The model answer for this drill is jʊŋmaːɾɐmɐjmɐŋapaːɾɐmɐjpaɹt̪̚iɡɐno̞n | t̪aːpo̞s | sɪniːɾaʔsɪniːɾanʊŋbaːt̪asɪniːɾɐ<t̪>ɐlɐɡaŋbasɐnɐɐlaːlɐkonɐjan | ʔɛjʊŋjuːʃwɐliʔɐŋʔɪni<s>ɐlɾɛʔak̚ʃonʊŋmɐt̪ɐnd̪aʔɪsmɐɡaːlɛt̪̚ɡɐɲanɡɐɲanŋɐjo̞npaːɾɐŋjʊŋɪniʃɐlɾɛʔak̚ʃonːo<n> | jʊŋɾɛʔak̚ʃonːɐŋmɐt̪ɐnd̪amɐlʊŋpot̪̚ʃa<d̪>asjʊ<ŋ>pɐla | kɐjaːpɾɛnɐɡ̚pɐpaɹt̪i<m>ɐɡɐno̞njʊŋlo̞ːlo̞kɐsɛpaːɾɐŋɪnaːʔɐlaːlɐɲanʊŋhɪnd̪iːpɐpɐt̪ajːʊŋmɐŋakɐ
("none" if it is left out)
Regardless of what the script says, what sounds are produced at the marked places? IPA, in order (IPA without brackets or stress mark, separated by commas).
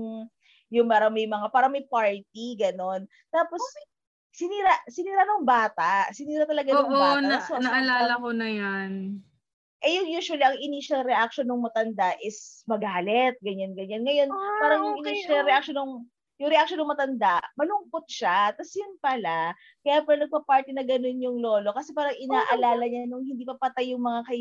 t̪, ʃ, ŋ, t̪, n, n